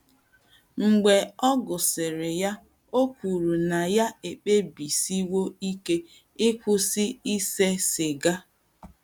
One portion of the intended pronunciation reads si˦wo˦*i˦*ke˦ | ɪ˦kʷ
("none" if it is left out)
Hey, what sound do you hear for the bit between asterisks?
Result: i˦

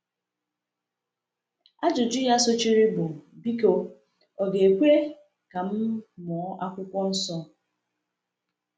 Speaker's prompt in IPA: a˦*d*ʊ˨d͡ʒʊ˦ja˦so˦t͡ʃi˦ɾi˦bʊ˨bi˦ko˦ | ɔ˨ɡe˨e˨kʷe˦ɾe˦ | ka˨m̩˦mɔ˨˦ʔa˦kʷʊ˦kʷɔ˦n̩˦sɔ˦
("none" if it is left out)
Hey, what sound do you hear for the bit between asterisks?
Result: d͡ʒ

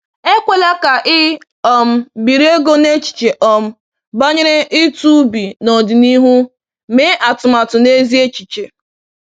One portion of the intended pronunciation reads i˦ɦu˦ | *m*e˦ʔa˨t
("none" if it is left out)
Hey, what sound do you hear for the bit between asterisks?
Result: m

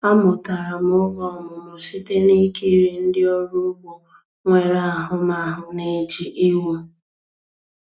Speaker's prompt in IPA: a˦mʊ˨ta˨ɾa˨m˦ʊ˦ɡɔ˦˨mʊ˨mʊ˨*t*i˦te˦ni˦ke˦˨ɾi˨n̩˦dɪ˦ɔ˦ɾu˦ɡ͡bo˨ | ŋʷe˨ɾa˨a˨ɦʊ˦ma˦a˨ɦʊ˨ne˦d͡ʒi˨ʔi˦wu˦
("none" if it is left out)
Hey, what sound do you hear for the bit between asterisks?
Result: s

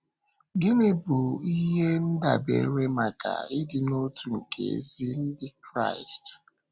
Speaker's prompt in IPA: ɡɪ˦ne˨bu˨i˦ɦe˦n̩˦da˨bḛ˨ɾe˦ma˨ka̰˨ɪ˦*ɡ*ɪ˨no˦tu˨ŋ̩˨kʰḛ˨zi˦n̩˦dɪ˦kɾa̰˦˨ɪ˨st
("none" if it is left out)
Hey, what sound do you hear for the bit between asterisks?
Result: d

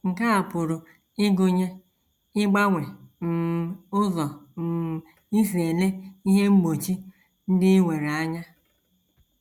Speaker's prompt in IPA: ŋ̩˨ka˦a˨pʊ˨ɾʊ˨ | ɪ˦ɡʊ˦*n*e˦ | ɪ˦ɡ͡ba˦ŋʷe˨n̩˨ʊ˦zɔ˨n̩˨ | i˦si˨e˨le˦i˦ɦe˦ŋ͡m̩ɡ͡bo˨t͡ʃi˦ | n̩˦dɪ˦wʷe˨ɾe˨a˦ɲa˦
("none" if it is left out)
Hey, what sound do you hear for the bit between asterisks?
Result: ɲ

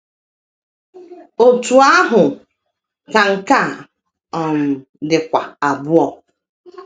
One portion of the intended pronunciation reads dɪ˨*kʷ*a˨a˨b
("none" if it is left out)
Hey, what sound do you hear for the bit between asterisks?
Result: kʷ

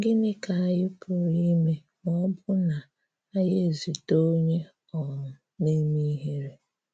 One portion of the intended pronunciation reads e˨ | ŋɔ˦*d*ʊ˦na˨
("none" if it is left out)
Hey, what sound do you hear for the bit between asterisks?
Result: b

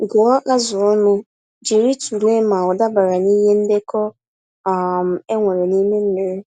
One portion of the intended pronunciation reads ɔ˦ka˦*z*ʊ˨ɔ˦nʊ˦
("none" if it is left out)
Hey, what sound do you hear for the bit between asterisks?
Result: z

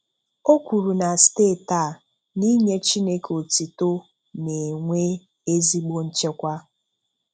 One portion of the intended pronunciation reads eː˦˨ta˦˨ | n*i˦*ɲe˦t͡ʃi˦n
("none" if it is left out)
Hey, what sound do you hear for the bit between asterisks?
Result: i˦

